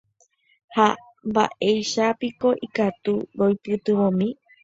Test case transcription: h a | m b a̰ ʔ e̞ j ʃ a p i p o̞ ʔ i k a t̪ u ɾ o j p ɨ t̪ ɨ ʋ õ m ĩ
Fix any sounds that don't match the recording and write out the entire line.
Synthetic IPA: h a | m b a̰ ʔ e̞ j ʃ a p i k o̞ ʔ i k a t̪ u ɾ o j p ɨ t̪ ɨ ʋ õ m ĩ